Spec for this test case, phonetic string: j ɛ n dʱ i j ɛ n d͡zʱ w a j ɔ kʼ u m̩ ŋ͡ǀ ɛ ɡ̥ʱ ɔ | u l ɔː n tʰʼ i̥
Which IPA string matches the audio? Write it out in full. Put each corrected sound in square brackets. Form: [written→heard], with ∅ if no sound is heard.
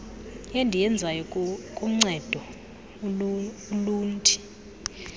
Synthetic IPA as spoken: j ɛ n dʱ i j ɛ n d͡zʱ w a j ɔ kʼ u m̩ ŋ͡ǀ ɛ [ɡ̥ʱ→d̥ʱ] ɔ | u l [ɔː→uː] n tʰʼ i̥